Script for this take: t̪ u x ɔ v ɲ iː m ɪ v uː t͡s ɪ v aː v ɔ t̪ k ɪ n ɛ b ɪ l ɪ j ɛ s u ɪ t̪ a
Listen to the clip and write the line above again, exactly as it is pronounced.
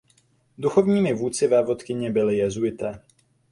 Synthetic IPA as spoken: d̪ u x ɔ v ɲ iː m ɪ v uː t͡s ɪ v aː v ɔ t̪ k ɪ ɲ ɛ b ɪ l ɪ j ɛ z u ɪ t̪ a